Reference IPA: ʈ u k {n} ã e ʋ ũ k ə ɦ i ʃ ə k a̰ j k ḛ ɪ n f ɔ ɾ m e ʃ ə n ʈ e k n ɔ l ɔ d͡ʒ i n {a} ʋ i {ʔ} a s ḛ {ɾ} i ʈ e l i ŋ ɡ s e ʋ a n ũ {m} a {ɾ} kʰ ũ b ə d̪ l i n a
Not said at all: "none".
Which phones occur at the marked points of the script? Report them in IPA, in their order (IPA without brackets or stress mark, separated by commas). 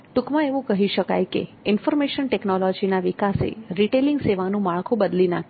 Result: m, a, k, ɾ, m, ɭ